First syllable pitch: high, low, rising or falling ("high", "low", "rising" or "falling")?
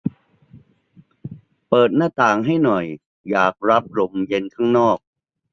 low